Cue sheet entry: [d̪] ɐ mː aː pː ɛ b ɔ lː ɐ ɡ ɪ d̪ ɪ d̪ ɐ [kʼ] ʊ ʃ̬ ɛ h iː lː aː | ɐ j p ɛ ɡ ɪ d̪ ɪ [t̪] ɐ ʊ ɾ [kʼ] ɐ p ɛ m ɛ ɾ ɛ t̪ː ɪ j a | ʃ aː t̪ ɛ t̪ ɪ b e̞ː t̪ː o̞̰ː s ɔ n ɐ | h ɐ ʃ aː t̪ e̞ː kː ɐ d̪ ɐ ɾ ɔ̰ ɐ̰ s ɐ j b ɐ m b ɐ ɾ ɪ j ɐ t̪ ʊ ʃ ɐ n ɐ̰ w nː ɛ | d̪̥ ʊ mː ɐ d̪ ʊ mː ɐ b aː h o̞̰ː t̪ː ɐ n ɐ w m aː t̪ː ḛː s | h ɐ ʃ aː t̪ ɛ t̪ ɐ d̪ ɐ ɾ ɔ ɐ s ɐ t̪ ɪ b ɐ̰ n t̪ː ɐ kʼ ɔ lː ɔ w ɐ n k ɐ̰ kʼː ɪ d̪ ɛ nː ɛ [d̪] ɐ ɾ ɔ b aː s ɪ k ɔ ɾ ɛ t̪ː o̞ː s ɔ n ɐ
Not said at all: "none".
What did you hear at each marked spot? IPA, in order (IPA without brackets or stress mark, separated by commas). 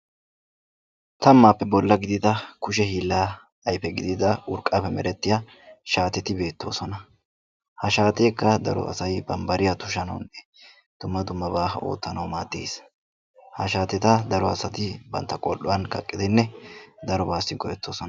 t̪, k, d̪, kʼ, d̪